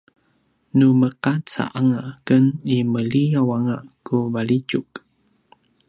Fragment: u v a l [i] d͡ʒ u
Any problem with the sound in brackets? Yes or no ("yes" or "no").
no